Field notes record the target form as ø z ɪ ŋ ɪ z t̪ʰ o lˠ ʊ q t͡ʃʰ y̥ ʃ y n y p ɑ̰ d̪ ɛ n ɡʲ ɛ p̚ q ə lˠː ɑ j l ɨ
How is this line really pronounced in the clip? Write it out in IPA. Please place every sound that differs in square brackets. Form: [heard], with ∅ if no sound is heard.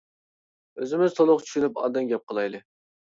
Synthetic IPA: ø z ɪ [m] ɪ z t̪ʰ o lˠ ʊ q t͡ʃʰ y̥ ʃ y n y p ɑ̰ d̪ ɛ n ɡʲ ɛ p̚ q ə [lˠ] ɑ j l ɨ